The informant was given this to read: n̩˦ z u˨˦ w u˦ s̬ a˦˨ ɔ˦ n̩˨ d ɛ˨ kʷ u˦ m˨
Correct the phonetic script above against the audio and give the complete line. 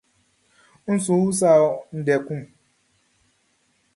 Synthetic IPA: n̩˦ s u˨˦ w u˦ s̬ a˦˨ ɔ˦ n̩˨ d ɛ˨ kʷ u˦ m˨